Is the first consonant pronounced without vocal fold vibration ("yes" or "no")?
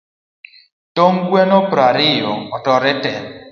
yes